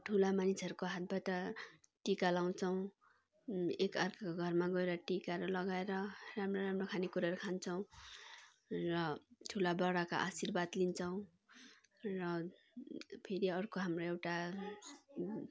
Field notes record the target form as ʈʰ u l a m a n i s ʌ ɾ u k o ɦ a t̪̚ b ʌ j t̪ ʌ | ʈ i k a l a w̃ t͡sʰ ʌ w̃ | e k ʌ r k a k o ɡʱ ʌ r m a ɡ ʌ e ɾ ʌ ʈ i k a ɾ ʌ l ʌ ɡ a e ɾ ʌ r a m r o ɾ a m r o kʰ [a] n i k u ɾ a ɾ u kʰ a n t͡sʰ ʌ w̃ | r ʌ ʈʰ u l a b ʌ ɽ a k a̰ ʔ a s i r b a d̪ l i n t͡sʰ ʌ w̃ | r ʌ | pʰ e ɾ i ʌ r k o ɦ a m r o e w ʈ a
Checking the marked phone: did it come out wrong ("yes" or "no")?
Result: no